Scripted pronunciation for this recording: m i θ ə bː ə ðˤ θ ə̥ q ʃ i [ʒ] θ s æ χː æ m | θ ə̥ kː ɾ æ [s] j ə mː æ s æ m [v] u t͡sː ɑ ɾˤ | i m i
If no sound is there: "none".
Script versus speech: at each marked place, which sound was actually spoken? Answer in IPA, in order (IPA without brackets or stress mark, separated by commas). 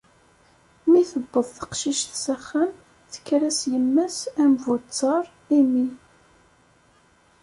ʃ, s, v